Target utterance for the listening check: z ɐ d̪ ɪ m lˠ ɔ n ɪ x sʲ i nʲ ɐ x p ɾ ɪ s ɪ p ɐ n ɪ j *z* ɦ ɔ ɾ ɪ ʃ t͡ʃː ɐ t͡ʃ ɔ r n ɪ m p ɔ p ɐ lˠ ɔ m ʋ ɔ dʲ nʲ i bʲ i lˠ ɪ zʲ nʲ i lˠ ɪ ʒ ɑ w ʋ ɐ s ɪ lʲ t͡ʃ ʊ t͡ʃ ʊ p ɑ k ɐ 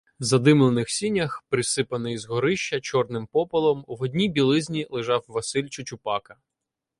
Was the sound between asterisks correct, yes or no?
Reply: yes